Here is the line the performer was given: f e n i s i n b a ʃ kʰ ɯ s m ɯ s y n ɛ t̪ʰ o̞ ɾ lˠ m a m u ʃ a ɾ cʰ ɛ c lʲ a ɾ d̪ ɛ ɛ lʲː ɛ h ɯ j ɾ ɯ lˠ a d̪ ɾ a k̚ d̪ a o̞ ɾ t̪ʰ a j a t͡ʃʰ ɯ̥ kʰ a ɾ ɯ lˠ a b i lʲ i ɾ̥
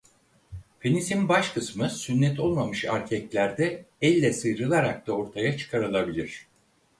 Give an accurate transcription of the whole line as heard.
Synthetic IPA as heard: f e n i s i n b a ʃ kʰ ɯ s m ɯ s y nː ɛ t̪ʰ o̞ lˠ m a m ɯ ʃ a ɾ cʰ ɛ c lʲ æ ɾ d̪ ɛ ɛ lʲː ɛ s ɯ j ɾ ɯ lˠ a ɾ a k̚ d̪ a o̞ ɾ t̪ʰ a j a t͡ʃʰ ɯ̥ kʰ a ɾ ɯ lˠ a b i lʲ i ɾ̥